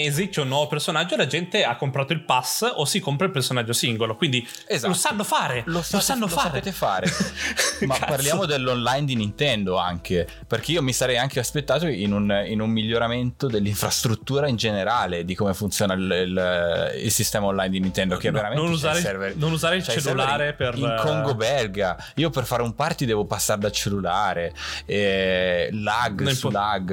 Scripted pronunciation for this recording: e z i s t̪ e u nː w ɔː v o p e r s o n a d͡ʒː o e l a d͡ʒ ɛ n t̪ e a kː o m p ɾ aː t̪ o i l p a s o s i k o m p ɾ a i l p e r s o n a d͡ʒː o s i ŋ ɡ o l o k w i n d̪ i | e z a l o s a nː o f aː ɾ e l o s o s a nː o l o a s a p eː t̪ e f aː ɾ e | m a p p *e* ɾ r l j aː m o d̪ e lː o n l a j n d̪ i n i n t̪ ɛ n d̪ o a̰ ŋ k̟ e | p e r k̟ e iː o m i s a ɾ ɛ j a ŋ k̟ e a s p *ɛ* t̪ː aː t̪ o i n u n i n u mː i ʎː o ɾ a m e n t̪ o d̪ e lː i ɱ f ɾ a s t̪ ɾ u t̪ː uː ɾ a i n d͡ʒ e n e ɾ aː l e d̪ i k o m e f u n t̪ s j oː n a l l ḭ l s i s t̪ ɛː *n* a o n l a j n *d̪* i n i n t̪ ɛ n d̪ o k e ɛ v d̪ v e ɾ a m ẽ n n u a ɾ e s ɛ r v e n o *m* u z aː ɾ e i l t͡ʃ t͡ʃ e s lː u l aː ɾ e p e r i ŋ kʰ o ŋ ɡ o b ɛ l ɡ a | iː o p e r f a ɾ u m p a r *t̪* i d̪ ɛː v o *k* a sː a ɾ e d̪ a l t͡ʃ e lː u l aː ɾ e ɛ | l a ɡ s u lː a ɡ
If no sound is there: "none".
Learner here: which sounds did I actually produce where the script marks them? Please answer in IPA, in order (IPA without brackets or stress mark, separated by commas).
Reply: a, e, m, d̪, n, t̪, p